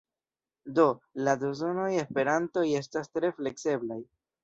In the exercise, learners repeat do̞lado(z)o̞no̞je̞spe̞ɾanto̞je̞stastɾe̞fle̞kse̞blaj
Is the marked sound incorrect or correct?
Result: correct